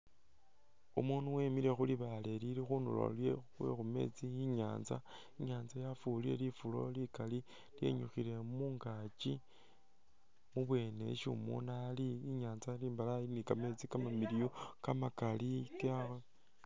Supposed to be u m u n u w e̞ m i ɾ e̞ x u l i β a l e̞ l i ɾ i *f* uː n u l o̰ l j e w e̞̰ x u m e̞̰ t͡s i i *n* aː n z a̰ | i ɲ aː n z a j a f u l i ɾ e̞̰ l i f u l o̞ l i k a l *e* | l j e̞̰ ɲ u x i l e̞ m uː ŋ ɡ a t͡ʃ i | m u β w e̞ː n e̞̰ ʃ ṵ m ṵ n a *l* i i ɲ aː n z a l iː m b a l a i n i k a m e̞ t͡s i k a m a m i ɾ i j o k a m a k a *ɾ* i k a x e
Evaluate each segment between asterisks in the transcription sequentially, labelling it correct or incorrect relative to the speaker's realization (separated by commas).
incorrect, incorrect, incorrect, correct, incorrect